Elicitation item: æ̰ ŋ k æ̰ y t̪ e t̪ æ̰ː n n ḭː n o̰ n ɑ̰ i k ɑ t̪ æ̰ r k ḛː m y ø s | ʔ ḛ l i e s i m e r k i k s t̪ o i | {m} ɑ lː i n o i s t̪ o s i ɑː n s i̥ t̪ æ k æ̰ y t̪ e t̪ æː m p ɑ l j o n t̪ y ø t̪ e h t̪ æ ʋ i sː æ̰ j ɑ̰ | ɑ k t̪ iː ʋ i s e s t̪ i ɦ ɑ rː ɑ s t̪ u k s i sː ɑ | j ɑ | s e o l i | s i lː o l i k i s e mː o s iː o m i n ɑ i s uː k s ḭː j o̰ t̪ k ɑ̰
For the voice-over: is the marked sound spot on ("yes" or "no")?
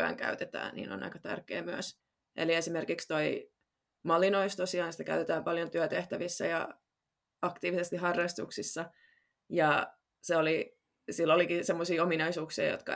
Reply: yes